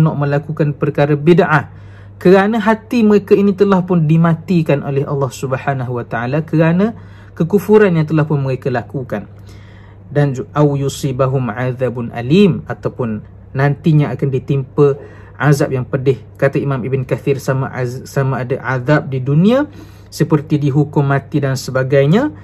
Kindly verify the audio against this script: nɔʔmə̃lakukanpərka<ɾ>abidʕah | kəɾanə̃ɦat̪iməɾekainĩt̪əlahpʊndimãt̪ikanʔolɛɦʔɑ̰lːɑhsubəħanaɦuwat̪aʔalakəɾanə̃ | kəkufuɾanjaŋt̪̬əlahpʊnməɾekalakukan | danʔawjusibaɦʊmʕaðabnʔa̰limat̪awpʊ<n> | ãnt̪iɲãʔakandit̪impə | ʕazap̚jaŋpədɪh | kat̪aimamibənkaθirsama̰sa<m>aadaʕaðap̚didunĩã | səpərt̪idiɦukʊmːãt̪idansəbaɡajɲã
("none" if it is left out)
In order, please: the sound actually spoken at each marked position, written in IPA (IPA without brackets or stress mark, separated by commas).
ɾ, nː, m